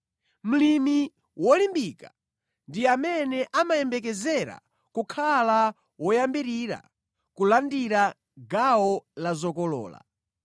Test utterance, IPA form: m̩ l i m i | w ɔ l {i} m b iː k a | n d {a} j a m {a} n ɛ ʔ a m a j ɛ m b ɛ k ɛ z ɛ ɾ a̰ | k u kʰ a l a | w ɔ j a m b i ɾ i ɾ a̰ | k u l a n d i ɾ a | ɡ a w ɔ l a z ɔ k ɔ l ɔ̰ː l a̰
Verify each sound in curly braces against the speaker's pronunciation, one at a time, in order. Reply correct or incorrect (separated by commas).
correct, incorrect, incorrect